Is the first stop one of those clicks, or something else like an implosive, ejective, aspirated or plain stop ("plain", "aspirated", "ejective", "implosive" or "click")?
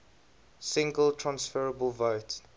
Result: plain